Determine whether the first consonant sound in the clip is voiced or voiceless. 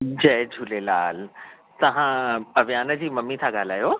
voiced